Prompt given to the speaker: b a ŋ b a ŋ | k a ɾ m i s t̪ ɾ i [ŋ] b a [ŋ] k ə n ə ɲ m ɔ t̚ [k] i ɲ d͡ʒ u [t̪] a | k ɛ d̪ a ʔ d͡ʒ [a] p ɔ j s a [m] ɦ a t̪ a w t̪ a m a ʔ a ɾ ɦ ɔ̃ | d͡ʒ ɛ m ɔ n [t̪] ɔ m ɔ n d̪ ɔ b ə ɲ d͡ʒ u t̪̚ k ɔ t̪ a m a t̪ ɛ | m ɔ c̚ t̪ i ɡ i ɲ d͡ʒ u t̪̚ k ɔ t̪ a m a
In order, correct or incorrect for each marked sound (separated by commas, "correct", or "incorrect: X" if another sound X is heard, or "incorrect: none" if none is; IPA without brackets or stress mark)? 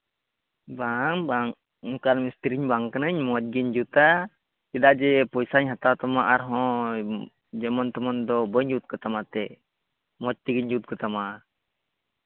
incorrect: ɲ, correct, incorrect: ɡ, correct, incorrect: ɛ, incorrect: ɲ, correct